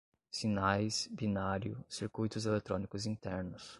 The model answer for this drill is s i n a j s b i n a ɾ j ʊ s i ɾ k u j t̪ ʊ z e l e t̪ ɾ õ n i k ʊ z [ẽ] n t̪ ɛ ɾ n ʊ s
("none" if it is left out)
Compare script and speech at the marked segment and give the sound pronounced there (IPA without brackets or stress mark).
ĩ